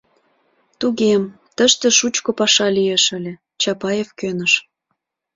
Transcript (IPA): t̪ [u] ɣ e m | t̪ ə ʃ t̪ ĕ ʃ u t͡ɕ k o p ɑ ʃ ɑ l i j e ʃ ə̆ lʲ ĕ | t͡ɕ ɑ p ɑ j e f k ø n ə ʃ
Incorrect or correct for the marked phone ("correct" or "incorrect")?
correct